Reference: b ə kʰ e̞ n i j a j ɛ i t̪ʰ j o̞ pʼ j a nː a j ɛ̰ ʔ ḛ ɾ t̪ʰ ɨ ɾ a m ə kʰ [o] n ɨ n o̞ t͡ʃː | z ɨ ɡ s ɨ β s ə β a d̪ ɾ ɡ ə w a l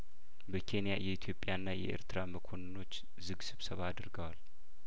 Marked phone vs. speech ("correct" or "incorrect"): correct